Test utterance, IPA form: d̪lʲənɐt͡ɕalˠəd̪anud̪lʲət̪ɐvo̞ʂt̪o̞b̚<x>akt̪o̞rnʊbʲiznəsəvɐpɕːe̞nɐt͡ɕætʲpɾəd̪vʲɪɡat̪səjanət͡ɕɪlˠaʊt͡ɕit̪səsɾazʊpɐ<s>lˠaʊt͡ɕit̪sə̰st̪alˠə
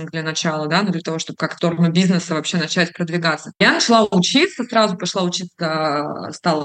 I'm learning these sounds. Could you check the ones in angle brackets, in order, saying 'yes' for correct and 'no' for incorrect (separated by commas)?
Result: no, no